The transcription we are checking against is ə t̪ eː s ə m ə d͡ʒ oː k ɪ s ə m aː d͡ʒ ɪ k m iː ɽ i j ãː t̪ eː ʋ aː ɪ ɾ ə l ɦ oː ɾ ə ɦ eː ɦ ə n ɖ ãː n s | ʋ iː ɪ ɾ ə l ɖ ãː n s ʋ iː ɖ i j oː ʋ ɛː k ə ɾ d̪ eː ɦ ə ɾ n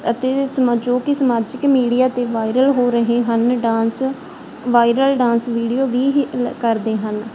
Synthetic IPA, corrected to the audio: ə t̪ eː s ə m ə d͡ʒ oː k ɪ s ə m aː d͡ʒ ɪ k m iː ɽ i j aː t̪ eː ʋ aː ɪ ɾ ə l ɦ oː ɾ ə ɦ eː ɦ ə n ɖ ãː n s | ʋ aː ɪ ɾ ə l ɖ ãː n s ʋ iː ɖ i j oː ʋ iː k ə ɾ d̪ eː ɦ ə n